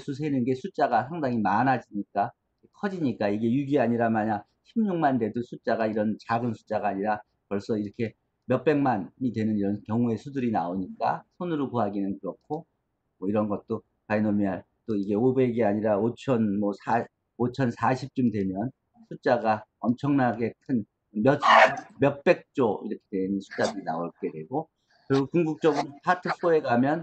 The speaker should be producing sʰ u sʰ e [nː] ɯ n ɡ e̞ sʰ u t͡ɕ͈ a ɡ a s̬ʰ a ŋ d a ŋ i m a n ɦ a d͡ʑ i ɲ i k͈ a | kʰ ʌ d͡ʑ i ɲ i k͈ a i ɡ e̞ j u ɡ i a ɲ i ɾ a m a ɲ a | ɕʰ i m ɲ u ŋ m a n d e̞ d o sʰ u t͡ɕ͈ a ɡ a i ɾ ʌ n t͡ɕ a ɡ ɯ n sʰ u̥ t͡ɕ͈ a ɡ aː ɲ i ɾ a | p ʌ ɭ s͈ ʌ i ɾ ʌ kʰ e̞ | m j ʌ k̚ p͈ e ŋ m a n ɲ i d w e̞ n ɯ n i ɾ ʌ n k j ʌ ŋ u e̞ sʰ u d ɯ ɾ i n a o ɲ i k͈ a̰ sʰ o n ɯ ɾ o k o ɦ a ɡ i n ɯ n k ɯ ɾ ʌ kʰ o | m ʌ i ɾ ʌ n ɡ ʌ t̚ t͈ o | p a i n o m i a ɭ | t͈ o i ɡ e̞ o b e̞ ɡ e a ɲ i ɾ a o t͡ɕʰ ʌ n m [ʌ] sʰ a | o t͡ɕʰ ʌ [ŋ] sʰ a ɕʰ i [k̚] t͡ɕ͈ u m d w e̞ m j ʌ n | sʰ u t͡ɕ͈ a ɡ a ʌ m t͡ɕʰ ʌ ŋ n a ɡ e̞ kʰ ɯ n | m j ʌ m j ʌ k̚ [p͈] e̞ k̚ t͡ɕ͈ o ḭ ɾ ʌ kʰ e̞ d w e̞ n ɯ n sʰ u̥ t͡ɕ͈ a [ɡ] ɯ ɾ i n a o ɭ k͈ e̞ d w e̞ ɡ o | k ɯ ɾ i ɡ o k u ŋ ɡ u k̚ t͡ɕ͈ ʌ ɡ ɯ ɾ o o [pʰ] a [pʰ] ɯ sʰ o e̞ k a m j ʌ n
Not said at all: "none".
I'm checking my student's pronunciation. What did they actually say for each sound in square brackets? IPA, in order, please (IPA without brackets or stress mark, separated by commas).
n, ʌ, n, p̚, p͈, d, pʰ, tʰ